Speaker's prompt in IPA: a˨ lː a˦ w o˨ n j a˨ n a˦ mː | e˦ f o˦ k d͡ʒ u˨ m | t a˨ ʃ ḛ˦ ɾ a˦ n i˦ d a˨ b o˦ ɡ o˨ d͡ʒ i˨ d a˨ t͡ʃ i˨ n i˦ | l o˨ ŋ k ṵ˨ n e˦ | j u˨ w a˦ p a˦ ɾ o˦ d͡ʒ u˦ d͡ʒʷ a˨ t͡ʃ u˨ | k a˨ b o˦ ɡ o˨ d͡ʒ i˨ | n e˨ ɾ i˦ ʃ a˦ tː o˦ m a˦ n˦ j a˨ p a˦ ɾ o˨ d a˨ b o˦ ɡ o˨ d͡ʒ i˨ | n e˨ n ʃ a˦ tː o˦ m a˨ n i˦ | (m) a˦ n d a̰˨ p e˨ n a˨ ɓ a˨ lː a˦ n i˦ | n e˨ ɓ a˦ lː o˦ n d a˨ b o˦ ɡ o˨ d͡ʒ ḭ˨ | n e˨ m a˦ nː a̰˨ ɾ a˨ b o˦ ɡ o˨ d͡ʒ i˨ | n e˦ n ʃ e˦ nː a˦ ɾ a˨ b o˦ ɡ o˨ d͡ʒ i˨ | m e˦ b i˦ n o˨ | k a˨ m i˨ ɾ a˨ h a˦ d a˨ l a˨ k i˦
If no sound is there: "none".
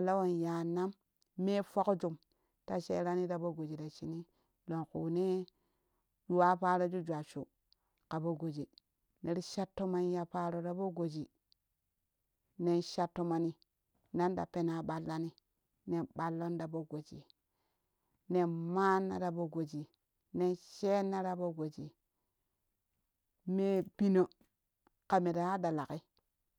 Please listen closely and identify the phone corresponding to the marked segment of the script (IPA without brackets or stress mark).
n